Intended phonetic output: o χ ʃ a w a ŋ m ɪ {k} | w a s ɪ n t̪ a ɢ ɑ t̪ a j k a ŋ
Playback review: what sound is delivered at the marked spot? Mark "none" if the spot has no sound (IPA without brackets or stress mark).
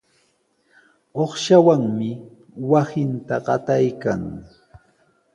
none